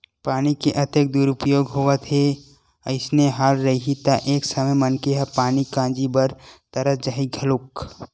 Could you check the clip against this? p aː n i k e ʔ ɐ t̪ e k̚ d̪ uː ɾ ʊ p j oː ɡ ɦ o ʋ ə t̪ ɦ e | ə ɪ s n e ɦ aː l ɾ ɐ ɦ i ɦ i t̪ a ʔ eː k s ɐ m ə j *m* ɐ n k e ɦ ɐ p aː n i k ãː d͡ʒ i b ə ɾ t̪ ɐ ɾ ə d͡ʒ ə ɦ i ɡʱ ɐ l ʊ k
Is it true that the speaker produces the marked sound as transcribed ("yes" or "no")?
yes